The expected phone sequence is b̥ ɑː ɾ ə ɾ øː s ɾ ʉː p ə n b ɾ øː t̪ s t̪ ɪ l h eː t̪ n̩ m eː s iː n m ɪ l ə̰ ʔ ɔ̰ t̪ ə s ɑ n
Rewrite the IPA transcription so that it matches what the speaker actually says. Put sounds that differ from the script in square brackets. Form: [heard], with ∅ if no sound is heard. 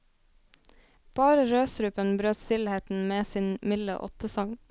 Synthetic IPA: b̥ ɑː ɾ ə ɾ øː s ɾ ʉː p ə n b ɾ øː t̪ s t̪ ɪ l h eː t̪ n̩ m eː s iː n m ɪ l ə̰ ʔ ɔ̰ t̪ ə s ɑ [ŋ]